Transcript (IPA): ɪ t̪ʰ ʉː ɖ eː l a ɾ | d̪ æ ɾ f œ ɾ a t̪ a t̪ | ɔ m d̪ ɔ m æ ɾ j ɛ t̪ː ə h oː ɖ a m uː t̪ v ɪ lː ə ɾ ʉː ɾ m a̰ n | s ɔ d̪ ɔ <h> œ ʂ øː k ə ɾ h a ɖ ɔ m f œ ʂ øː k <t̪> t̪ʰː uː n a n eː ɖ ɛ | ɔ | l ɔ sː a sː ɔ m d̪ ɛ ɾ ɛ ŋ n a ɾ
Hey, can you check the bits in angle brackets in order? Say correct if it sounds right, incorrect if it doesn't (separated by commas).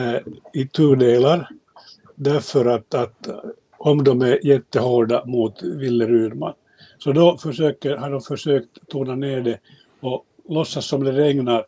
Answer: incorrect, correct